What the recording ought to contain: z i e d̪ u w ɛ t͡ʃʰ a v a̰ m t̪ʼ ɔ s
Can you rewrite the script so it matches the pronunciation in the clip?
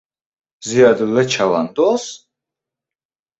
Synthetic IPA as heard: z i a d̪ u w ɛ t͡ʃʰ a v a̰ n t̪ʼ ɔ s